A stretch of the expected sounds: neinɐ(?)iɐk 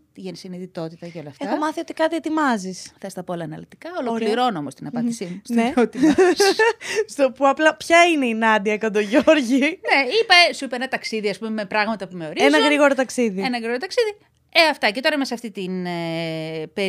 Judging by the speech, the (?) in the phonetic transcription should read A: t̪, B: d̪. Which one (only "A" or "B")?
B